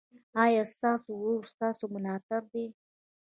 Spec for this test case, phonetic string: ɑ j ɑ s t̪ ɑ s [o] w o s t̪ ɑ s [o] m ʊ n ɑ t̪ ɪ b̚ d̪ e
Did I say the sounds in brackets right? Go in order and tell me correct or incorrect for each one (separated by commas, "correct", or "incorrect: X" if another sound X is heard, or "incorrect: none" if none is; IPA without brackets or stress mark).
correct, correct